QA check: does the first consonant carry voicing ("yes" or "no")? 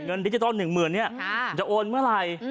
yes